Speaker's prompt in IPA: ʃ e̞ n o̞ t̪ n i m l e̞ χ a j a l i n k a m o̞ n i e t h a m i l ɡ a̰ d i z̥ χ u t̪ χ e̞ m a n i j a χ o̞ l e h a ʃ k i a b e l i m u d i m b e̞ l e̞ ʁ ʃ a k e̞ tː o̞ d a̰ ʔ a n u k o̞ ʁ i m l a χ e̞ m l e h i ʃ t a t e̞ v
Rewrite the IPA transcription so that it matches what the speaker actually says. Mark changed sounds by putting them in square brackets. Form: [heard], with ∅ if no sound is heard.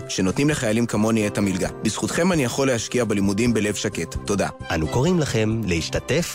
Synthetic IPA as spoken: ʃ e̞ n o̞ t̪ n i m l e̞ χ a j a l i [m] k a m o̞ n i e t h a m i l ɡ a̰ [b] i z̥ χ u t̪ χ e̞ m a n i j a χ o̞ l e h a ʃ k i a b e l i m u d i m b e̞ l e̞ [v] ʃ a k e̞ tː o̞ d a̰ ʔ a n u k o̞ ʁ i m l a χ e̞ m l e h i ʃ t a t e̞ [f]